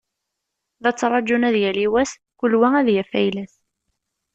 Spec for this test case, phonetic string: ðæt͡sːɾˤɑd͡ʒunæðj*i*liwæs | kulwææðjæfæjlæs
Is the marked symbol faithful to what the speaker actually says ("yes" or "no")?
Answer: no